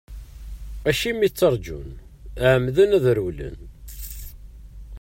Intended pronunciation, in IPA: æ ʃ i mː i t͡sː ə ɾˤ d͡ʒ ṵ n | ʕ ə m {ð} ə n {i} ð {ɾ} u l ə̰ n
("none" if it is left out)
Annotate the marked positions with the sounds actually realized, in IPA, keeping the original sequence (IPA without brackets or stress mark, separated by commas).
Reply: ð, æ, ɾ